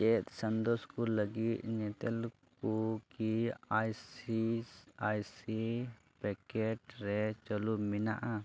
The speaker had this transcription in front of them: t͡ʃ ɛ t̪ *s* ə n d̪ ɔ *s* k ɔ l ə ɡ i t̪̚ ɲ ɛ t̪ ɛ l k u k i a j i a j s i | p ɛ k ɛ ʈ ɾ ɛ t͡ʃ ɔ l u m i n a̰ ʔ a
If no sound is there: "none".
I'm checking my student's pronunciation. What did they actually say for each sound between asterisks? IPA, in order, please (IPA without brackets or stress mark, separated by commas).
s, s